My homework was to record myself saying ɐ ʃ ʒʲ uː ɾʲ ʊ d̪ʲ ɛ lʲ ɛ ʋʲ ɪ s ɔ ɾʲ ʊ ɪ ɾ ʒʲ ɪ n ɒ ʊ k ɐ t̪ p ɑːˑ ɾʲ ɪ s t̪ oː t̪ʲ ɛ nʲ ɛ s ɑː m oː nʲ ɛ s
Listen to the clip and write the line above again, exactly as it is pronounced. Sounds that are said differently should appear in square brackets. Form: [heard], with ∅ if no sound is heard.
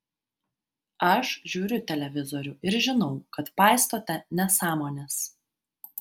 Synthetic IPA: ɐ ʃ ʒʲ uː ɾʲ ʊ [t̪ʲ] ɛ lʲ ɛ ʋʲ ɪ [z] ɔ ɾʲ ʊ ɪ ɾ ʒʲ ɪ n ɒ ʊ k ɐ t̪ p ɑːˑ [∅] ɪ s t̪ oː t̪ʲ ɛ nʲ ɛ s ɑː m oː nʲ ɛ s